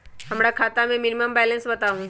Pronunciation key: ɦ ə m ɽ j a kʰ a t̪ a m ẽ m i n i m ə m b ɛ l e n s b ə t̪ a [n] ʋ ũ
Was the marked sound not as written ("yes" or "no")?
yes